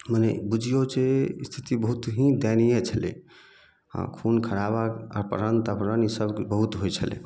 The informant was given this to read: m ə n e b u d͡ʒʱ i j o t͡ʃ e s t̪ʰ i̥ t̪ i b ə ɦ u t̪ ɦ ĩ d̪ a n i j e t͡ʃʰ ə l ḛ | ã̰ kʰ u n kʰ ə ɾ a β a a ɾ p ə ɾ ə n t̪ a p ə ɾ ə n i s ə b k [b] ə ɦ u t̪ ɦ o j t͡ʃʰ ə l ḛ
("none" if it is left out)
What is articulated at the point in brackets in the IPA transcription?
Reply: b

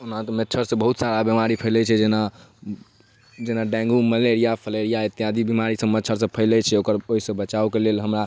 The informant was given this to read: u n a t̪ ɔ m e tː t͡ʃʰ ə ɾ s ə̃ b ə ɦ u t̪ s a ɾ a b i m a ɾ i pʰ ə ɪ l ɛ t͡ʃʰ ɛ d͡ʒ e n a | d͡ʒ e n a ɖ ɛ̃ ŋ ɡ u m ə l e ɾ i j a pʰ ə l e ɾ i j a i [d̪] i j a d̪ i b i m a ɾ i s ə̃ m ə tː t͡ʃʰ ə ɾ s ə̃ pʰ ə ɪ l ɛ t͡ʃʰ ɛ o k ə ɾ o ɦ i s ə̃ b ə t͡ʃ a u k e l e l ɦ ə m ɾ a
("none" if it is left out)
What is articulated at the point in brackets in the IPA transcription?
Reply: t̪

